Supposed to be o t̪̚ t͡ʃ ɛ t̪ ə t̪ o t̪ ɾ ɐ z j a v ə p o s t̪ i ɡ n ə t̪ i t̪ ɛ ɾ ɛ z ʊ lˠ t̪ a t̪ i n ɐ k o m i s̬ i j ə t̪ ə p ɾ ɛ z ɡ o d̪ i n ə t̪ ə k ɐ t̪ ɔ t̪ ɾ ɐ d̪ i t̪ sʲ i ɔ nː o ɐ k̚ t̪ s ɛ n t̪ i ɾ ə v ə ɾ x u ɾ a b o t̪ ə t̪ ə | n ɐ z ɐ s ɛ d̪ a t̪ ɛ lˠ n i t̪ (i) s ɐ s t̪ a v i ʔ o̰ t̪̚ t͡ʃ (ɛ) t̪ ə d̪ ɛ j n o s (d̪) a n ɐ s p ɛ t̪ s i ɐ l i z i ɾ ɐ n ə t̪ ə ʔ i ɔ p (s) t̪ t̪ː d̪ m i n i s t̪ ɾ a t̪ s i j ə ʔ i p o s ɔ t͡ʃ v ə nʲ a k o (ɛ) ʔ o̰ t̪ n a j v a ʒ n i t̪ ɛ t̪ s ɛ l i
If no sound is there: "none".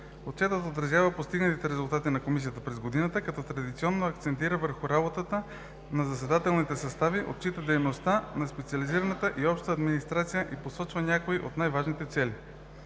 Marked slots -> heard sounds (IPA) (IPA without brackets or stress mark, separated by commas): ɛ, i, t̪, ʃ, i